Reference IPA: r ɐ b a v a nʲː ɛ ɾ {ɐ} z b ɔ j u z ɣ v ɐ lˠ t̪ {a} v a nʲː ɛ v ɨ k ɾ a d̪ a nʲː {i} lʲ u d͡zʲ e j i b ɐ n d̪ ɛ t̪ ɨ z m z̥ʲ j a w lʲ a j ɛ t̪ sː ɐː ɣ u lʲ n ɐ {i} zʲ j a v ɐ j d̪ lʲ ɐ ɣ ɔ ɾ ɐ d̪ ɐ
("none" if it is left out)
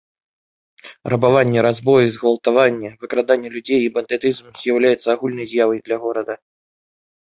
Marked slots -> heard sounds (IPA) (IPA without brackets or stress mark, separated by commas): a, a, ɛ, j